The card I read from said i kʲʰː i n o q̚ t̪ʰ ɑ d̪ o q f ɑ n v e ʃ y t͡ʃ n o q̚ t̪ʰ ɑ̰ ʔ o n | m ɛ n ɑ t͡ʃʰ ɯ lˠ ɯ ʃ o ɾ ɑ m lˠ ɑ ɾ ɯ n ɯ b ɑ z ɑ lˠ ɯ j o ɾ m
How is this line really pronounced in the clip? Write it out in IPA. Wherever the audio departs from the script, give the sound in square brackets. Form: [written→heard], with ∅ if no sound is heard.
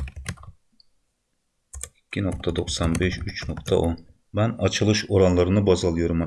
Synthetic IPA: i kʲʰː i n o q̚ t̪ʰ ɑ d̪ o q [f→s] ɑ n [v→b] e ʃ y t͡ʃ n o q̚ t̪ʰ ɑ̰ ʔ o n | m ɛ n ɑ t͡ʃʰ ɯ lˠ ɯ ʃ o ɾ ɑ [m→n] lˠ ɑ ɾ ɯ n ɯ b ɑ z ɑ lˠ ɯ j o ɾ m